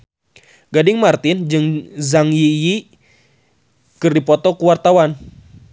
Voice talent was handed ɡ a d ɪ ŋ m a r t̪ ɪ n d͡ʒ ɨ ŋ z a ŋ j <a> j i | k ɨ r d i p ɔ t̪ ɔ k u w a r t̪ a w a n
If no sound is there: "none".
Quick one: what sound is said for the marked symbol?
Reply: i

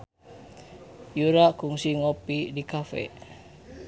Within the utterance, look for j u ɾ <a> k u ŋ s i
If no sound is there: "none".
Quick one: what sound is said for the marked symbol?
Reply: a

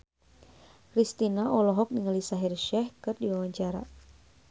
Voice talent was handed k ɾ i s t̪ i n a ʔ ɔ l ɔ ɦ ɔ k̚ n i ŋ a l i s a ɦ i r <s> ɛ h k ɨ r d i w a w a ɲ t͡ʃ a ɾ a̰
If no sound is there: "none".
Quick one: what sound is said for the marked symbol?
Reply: ʃ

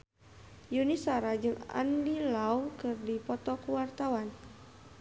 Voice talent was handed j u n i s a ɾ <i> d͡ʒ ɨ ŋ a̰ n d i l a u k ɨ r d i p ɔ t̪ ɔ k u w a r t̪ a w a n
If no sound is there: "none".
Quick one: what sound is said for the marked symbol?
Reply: a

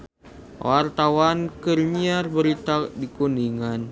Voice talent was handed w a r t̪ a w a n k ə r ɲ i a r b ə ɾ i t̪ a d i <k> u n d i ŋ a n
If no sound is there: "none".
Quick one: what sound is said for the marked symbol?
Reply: k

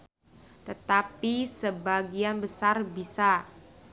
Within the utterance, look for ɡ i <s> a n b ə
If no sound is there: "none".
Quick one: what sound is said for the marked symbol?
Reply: none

